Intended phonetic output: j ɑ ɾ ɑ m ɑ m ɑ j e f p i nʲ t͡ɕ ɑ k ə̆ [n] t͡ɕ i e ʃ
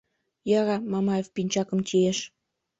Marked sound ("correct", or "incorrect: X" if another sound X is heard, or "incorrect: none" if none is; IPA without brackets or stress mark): incorrect: m